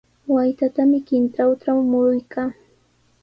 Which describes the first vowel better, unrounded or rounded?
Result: unrounded